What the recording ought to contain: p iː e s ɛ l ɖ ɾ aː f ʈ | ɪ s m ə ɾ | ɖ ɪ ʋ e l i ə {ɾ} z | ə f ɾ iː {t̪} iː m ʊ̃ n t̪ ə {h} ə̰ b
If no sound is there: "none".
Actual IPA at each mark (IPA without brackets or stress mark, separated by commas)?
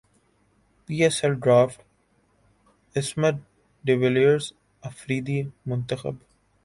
ɾ, d̪, x